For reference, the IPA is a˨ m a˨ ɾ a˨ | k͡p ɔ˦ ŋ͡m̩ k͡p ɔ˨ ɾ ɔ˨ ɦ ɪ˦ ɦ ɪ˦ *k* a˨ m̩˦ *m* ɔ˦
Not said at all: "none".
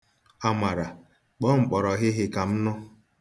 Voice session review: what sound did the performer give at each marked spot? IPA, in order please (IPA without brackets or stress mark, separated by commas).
k, n